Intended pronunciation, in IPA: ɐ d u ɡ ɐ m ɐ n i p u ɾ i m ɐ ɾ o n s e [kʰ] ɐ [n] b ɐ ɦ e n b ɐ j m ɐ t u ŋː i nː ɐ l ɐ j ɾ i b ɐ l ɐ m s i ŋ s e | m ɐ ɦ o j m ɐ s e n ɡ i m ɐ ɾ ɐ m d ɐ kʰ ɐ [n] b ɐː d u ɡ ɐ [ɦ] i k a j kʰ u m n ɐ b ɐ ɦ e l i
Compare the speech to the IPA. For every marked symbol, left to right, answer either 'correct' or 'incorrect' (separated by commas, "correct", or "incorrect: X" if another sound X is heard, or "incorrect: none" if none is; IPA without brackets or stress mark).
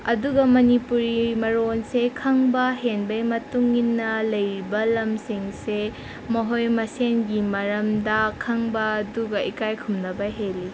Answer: correct, incorrect: ŋ, incorrect: ŋ, incorrect: none